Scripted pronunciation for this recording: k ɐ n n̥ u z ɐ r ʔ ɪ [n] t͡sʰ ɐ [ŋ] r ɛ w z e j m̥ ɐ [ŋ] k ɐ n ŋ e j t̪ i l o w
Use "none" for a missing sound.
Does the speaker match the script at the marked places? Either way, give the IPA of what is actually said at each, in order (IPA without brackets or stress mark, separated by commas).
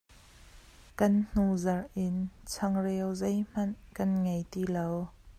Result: n, ŋ, n